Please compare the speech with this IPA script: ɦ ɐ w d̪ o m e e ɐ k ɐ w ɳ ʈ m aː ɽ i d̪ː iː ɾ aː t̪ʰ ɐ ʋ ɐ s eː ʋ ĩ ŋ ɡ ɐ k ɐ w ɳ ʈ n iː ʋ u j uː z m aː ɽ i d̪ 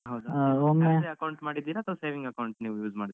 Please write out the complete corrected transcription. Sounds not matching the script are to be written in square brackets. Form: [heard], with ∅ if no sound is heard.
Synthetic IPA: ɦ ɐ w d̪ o m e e ɐ k ɐ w ɳ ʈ m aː ɽ i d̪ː iː ɾ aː t̪ʰ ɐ ʋ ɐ s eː ʋ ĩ ŋ ɡ ɐ k ɐ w ɳ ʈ n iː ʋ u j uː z m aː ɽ i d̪